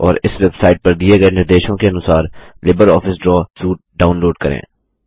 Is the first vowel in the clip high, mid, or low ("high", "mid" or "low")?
mid